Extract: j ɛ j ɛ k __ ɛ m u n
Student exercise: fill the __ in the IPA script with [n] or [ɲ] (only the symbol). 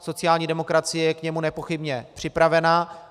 ɲ